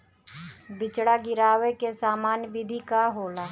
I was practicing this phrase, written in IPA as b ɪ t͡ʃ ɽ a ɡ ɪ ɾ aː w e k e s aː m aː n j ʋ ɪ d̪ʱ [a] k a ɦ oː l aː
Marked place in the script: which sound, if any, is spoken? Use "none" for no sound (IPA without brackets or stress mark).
i